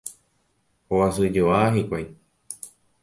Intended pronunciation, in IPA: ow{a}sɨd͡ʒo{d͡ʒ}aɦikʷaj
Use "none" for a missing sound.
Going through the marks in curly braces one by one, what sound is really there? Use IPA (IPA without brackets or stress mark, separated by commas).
a, none